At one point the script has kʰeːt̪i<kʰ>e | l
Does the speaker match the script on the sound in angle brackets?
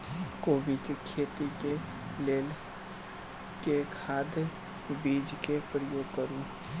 no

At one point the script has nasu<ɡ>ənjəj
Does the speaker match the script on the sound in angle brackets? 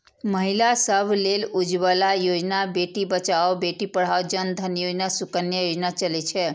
no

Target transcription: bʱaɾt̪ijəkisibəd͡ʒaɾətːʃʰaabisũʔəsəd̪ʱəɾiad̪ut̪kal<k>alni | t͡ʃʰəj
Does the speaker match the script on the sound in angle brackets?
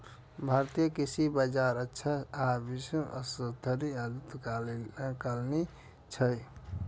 yes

